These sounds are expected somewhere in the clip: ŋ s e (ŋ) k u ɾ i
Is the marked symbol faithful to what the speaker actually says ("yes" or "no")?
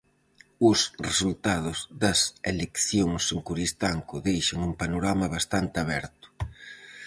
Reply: yes